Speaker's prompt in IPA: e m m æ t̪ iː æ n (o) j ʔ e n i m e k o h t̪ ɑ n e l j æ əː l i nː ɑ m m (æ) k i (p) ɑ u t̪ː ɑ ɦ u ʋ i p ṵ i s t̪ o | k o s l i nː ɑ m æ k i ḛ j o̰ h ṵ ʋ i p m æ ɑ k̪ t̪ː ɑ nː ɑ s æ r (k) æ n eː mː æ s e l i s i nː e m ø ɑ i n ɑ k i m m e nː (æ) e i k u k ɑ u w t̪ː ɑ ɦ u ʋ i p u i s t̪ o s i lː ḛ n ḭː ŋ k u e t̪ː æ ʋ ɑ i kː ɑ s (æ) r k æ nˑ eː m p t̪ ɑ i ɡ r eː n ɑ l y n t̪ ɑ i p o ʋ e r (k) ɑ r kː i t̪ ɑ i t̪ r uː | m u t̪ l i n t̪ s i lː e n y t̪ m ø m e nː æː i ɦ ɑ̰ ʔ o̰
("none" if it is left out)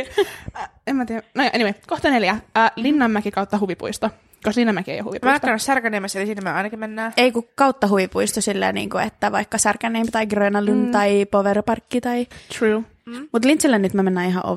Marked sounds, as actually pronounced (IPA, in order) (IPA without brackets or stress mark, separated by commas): o, æ, k, k, æː, æ, p